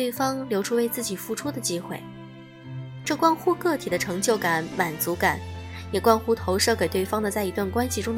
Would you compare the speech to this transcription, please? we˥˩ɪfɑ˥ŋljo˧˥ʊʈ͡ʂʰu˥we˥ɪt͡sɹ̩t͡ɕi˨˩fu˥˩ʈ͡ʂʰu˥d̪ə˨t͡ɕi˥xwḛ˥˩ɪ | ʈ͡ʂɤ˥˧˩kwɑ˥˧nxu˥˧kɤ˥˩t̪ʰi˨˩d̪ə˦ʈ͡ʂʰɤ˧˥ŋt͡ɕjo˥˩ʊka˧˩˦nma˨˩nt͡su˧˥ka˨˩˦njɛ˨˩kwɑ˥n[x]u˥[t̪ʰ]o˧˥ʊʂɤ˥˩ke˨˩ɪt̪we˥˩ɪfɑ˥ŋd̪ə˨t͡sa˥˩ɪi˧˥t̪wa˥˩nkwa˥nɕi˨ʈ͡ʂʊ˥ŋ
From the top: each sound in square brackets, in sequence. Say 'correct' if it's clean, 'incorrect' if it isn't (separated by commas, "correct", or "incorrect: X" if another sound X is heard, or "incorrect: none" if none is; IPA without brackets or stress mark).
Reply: correct, correct